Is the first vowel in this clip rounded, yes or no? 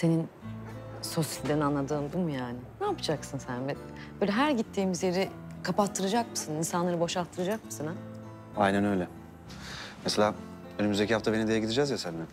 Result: no